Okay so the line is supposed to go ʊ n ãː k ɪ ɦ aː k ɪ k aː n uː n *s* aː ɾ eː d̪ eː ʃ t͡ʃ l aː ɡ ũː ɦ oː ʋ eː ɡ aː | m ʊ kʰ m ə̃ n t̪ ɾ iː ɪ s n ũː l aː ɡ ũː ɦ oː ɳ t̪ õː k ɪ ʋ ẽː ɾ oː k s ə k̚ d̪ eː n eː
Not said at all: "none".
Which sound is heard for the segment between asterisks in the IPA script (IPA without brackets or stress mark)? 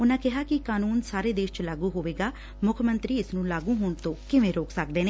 s